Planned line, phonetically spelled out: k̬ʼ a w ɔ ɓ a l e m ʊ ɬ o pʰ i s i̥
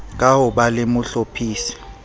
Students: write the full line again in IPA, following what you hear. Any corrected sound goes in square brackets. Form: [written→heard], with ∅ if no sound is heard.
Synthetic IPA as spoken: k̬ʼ a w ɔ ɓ a l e m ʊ ɬ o pʰ [i→iː] s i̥